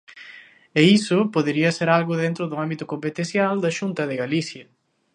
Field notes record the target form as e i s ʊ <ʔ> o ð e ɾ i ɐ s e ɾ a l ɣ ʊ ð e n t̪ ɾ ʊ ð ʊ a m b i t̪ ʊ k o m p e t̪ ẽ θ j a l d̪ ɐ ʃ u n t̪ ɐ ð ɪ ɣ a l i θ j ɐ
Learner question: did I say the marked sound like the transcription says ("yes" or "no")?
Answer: no